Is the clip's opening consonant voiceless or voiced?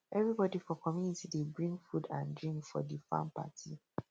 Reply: voiced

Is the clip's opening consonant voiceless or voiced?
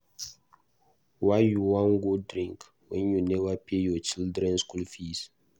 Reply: voiced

